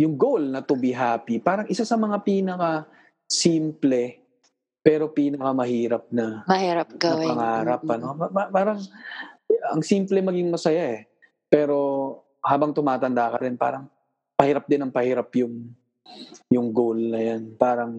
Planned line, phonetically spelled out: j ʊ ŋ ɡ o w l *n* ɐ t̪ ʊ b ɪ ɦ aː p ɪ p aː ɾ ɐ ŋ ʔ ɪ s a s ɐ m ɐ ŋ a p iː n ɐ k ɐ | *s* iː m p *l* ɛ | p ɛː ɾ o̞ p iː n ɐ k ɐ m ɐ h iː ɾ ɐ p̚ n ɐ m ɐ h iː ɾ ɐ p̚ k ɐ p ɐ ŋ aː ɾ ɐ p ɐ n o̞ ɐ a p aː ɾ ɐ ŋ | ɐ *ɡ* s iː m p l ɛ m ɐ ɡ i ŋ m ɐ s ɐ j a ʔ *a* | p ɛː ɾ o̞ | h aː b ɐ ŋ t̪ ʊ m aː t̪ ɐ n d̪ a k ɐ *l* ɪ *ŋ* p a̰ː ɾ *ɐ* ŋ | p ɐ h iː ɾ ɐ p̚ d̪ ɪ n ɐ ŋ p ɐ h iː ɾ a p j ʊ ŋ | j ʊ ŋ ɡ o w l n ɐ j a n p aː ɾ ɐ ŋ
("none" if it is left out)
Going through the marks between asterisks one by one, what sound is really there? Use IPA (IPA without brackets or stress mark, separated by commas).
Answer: n, s, l, ŋ, ɛ, ɾ, n, ɐ